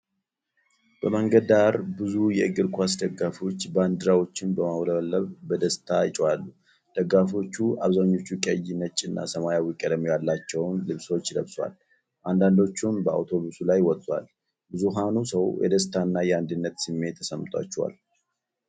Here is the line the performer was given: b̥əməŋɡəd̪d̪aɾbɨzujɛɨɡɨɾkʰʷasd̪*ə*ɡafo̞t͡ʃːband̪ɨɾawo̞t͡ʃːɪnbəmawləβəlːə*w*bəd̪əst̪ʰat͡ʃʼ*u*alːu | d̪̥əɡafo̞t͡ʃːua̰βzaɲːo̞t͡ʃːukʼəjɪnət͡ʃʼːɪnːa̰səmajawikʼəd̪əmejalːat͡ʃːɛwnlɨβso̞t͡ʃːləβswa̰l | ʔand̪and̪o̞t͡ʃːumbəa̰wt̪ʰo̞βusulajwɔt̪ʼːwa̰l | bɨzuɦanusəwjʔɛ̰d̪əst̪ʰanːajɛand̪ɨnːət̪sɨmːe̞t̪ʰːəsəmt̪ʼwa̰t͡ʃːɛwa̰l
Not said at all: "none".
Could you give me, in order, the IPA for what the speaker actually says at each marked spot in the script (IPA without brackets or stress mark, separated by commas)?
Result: ə, β, w